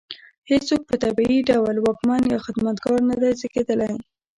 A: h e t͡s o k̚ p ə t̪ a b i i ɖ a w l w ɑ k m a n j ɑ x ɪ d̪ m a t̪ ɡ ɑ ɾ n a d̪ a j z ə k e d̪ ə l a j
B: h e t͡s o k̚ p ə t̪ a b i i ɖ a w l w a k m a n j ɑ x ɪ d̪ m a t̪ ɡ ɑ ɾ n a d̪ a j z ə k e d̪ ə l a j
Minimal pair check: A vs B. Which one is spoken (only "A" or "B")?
A